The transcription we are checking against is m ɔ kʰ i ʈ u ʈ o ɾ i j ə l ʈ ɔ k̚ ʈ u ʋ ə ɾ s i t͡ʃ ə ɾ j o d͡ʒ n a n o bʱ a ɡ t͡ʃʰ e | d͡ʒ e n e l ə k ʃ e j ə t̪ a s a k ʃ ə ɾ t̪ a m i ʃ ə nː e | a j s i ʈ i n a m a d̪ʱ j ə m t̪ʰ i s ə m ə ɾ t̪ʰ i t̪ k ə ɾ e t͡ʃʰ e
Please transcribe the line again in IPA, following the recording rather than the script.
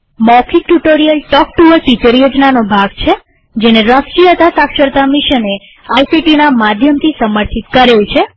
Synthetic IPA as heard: m ɔ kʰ i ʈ u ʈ o ɾ i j ə l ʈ ɔ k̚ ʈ u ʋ ə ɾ s i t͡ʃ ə ɾ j o d͡ʒ n a n o bʱ a ɡ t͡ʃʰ e | d͡ʒ e n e ɾ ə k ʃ i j ə t̪ a s a k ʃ ə ɾ t̪ a m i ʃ ə n e | a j s i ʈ i n a m a d̪ʱ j ə m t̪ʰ i s ə m ə ɾ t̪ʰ i t̪ k ə ɾ e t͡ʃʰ e